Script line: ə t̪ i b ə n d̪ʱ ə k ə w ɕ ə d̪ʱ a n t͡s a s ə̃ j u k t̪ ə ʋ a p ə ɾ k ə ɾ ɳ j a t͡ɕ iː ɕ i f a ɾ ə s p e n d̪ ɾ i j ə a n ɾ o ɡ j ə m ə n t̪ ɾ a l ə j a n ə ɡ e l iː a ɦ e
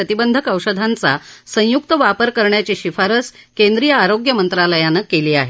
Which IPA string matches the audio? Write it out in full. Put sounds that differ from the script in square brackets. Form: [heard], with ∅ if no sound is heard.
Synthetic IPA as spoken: ə t̪ i b ə n d̪ʱ ə k ə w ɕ ə d̪ʱ a n t͡s a s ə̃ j u k t̪ ə ʋ a p ə ɾ k ə ɾ ɳ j a t͡ɕ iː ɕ i f a ɾ ə s [k] e n d̪ ɾ i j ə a [∅] ɾ o ɡ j ə m ə n t̪ ɾ a l ə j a n ə [k] e l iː a ɦ e

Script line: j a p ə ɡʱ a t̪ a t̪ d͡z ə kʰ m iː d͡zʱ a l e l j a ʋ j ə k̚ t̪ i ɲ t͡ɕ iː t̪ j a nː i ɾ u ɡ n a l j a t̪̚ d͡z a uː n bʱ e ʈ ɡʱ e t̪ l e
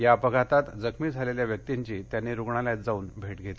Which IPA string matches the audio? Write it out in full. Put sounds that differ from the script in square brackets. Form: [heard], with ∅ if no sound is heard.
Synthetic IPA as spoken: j a p ə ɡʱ a t̪ a t̪ d͡z ə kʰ m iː d͡zʱ a l e l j a ʋ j ə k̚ t̪ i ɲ t͡ɕ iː t̪ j a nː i ɾ u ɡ [ɳ] a l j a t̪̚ d͡z a uː n bʱ e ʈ ɡʱ e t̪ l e

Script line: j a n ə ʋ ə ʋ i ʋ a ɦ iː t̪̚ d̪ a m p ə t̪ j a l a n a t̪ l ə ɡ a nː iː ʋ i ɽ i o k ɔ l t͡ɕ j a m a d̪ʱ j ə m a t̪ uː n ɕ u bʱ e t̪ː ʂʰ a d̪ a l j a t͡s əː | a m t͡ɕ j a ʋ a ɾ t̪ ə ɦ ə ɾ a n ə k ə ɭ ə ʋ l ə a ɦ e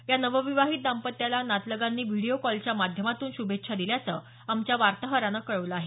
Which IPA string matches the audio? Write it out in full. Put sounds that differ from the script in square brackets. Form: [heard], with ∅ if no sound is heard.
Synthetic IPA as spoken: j a n ə ʋ ə ʋ i ʋ a ɦ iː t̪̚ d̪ a m p ə t̪ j a l a n a t̪ l ə ɡ a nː iː ʋ i ɽ i o k ɔ l t͡ɕ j a m a d̪ʱ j ə m a t̪ uː n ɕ u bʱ e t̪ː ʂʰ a d̪ [i] l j a t͡s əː | a m t͡ɕ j a ʋ a ɾ t̪ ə ɦ ə ɾ a n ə k ə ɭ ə ʋ l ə a ɦ e

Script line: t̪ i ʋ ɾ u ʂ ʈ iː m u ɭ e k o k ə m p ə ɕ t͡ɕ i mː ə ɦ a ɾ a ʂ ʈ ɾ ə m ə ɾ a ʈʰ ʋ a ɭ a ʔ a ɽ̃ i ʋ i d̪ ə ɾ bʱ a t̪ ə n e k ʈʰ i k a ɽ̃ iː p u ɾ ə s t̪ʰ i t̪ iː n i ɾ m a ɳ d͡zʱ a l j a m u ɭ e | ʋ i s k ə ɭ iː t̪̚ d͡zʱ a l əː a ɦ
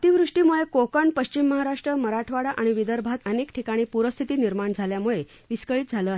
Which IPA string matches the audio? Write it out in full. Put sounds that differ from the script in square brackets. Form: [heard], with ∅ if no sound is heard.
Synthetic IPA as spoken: t̪ i ʋ ɾ u ʂ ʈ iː m u ɭ e k o k ə [ɳ] p ə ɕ t͡ɕ i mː ə ɦ a ɾ a ʂ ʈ ɾ ə m ə ɾ a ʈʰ ʋ a [ɽ] a ʔ a ɽ̃ i ʋ i d̪ ə ɾ bʱ a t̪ ə n e k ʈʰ i k a ɽ̃ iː p u ɾ ə s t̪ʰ i t̪ iː n i ɾ m a ɳ d͡zʱ a l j a m u ɭ e | ʋ i s k ə ɭ iː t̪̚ d͡zʱ a l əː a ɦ

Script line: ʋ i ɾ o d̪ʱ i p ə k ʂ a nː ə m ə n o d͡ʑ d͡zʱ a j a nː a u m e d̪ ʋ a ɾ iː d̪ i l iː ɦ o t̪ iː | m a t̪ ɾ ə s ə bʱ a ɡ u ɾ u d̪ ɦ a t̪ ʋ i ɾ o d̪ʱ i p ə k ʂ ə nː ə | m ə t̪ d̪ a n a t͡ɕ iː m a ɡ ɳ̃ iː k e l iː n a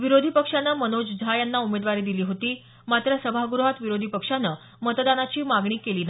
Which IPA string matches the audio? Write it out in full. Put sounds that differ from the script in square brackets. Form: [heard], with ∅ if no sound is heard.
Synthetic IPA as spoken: ʋ i ɾ o d̪ʱ i p ə k ʂ a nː ə m ə n o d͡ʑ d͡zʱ a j a nː a u m e d̪ ʋ a ɾ iː d̪ i l iː ɦ o t̪ iː | m a t̪ ɾ ə s ə bʱ a ɡ u ɾ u [∅] ɦ a t̪ ʋ i ɾ o d̪ʱ i p ə k ʂ [a] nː ə | m ə t̪ d̪ a n a t͡ɕ iː m a ɡ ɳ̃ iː k e l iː n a

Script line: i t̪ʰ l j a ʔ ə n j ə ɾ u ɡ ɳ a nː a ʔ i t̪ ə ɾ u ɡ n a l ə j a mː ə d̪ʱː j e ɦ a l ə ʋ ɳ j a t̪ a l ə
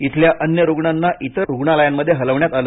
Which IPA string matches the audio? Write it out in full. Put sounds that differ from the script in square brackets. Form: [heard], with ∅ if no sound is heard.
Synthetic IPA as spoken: i t̪ʰ l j a ʔ ə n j ə ɾ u ɡ ɳ a nː a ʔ i t̪ ə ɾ u ɡ [ɳ] a l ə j a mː ə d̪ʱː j e ɦ [ə] l ə ʋ ɳ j a t̪ a l ə

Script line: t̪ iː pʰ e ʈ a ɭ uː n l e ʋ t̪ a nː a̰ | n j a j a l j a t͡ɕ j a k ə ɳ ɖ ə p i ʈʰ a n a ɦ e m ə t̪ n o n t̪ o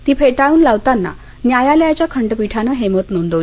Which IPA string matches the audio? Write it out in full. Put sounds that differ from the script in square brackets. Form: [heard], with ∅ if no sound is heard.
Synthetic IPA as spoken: t̪ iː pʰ e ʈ a ɭ uː n l [a] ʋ t̪ a nː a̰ | n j a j a l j a t͡ɕ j a [kʰ] ə ɳ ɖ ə p i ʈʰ a n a ɦ e m ə t̪ n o n [d̪] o

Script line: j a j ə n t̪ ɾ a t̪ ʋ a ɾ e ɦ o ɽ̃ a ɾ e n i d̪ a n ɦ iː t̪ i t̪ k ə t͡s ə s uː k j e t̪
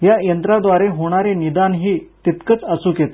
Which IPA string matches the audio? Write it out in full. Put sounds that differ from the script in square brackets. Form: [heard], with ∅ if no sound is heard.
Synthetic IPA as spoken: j a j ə n t̪ ɾ a [d̪] ʋ a ɾ e ɦ o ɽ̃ a ɾ e n i d̪ a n ɦ iː t̪ i t̪ k ə t͡s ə s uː k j e t̪

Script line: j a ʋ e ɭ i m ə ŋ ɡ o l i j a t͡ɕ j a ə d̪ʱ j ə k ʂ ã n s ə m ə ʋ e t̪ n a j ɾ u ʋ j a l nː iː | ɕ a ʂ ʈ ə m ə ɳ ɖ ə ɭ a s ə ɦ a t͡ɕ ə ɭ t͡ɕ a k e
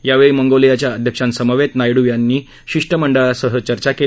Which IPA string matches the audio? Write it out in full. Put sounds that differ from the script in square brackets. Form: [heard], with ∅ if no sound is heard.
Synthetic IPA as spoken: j a ʋ e ɭ i m ə ŋ ɡ o l i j a t͡ɕ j a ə d̪ʱ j ə k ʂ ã n s ə m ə ʋ e t̪ n a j [ɽ] u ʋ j a [∅] nː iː | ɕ [i] ʂ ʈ ə m ə ɳ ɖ ə ɭ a s ə ɦ [ə] t͡ɕ ə [ɾ] t͡ɕ a k e

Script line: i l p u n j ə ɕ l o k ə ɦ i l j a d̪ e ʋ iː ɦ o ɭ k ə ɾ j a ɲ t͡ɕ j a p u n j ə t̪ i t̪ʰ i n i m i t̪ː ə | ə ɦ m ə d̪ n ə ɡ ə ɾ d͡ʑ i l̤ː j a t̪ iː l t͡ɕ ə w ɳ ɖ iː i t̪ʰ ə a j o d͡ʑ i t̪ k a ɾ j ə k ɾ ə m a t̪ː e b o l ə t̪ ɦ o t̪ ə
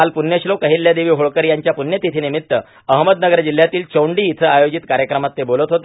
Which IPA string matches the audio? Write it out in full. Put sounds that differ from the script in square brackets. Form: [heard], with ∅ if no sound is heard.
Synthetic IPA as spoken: [a] l p u n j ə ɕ l o k ə ɦ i l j a d̪ e ʋ iː ɦ o ɭ k ə ɾ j a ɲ t͡ɕ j a p u n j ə t̪ i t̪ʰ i n i m i t̪ː ə | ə ɦ m ə d̪ n ə ɡ ə ɾ d͡ʑ i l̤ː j a t̪ iː l t͡ɕ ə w ɳ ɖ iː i t̪ʰ ə a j o d͡ʑ i t̪ k a ɾ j ə k ɾ ə m a t̪ː e b o l ə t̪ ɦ o t̪ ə

